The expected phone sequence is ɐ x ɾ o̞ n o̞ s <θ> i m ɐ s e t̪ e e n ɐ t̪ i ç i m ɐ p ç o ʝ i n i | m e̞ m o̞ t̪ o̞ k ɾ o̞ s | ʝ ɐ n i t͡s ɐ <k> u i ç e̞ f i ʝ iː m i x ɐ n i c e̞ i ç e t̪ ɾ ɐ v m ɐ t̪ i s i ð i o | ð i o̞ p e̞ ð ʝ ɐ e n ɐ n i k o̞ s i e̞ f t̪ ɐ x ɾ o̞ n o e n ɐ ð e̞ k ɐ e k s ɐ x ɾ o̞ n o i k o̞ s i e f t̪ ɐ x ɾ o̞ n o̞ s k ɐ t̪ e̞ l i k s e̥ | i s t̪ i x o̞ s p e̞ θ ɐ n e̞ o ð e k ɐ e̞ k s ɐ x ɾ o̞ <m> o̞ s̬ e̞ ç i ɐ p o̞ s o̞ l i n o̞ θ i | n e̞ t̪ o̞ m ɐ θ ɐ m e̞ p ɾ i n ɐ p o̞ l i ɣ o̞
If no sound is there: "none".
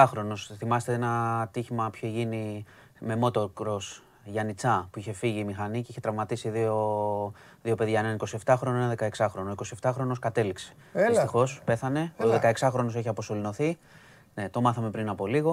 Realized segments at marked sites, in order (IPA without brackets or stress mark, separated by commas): θ, p, n